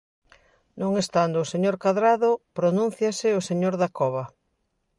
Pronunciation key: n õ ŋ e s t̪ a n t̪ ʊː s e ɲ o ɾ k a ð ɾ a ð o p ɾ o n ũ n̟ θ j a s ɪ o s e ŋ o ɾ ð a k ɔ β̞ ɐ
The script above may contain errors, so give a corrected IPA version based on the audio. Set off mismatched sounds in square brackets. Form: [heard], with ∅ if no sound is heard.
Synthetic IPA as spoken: n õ ŋ e s t̪ a n [d̪] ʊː s e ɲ o ɾ k a ð ɾ a ð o p ɾ o n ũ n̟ θ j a s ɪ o s e [ɲ] o ɾ ð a k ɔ β̞ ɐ

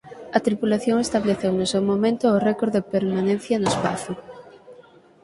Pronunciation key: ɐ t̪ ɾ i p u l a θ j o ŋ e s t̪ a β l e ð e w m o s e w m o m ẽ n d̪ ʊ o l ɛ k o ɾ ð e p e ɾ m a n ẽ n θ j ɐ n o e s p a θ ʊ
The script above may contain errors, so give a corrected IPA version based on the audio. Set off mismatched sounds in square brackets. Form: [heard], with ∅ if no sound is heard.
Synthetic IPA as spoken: ɐ t̪ ɾ i p u l a θ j o ŋ e s t̪ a β l e [θ] e w [n] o s e w m o m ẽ n [t̪] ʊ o [r] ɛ k o ɾ ð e p e ɾ m a n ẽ n θ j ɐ n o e s p a θ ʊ

